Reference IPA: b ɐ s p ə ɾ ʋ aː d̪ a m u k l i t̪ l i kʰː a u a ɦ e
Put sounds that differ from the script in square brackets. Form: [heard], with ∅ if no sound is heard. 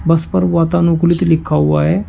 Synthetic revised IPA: b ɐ s p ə ɾ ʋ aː [t̪] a [n] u k l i t̪ l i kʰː a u a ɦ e